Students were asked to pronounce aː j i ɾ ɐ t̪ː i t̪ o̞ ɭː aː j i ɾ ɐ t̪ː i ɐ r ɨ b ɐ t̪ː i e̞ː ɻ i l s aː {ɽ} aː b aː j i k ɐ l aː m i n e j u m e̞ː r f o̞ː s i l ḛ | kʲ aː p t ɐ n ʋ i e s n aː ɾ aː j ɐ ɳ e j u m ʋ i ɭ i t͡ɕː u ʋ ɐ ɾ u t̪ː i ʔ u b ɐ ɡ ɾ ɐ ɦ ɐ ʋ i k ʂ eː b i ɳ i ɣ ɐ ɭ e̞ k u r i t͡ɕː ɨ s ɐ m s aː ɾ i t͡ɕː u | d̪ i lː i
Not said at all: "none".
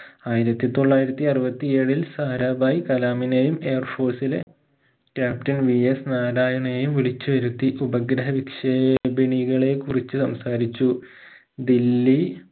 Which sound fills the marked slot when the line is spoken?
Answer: ɾ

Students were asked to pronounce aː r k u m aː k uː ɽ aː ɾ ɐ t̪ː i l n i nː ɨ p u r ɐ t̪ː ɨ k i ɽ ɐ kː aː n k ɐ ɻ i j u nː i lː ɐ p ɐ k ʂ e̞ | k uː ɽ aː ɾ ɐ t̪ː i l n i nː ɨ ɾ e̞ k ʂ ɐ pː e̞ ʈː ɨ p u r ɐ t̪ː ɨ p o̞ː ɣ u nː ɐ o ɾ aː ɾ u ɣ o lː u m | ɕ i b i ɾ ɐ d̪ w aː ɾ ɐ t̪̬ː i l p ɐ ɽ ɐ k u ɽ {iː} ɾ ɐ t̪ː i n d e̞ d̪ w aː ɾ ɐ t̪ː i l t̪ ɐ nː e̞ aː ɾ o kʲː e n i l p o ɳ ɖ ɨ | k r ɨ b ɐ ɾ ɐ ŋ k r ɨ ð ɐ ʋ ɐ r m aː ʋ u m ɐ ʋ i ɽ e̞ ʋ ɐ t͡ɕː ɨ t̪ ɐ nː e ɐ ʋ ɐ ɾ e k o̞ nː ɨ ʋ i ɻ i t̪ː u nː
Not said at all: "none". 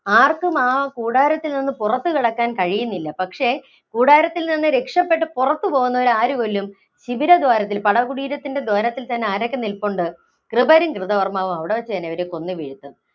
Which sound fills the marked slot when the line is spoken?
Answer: iː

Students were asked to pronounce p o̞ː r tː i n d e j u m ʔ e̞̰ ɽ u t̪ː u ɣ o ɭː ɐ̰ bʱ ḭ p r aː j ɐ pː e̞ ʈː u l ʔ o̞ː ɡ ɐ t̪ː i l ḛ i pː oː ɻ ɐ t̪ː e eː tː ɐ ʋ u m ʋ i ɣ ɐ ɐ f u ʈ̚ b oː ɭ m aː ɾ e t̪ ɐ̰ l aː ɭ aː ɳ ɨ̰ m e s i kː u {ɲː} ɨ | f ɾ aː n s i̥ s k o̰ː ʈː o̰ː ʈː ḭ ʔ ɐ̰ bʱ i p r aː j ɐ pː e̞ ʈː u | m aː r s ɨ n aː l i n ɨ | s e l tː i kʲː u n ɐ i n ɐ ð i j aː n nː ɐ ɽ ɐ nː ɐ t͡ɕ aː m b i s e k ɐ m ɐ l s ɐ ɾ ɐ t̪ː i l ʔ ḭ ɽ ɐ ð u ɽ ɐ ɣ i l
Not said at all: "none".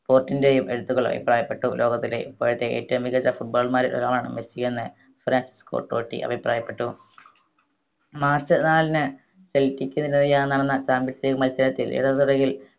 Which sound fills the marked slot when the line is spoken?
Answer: nː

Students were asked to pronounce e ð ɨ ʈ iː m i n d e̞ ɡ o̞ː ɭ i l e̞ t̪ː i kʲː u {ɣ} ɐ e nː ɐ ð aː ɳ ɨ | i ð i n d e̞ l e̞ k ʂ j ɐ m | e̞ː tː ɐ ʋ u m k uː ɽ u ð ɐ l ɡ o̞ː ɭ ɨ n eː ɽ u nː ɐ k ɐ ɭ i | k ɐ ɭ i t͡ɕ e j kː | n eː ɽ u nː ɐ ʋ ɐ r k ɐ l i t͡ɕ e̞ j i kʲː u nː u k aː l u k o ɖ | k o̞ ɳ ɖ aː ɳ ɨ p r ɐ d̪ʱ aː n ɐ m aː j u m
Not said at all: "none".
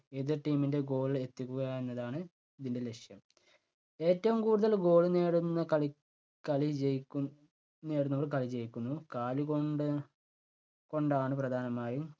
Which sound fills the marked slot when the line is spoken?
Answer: ɣ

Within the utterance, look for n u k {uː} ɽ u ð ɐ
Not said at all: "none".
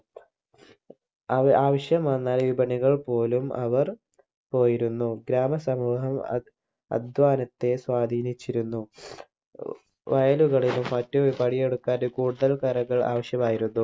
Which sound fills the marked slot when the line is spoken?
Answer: uː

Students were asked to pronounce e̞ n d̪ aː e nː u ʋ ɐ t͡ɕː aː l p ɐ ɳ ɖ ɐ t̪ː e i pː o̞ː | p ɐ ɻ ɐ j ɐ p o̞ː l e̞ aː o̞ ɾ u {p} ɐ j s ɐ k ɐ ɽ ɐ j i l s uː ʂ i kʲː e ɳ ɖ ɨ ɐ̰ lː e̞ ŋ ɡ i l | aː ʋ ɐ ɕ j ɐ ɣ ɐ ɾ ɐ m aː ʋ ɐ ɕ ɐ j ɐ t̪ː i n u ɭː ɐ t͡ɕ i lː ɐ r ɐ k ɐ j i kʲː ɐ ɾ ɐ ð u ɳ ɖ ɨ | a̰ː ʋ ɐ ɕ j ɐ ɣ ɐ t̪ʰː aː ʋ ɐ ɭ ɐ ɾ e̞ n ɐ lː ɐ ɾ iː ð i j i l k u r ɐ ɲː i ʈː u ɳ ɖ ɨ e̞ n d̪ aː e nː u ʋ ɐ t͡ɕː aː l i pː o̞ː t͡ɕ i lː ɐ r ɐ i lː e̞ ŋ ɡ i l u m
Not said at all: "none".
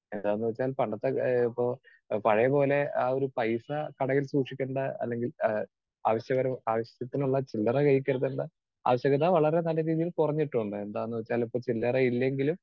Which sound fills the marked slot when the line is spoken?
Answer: p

